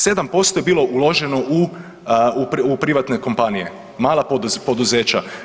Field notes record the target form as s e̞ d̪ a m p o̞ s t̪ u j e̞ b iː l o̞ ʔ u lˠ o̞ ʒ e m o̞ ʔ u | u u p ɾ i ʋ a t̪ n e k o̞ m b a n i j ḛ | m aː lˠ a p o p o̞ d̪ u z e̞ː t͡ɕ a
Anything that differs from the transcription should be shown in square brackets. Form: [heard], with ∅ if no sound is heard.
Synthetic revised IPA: s e̞ d̪ a m p o̞ s t̪ [o] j e̞ b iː l o̞ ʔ u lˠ o̞ ʒ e [n] o̞ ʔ u | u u p ɾ i ʋ a t̪ n e k o̞ m [p] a n i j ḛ | m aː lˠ a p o p o̞ d̪ u z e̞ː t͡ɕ a